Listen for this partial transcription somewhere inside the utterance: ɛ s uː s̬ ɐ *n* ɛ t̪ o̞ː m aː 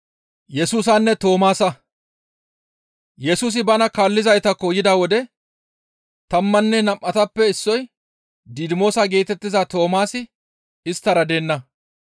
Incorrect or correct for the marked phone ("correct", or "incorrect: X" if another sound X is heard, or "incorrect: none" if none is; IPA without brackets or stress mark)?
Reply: incorrect: nː